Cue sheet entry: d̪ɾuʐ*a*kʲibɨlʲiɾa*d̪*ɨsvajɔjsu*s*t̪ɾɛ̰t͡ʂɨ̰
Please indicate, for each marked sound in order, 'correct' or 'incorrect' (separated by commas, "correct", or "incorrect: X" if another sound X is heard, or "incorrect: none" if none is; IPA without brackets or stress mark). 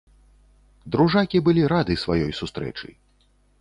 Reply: correct, correct, correct